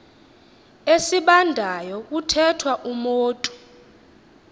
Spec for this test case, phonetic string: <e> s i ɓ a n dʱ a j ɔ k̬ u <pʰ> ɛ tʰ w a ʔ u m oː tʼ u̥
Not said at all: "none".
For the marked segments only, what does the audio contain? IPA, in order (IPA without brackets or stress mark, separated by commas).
e, tʰ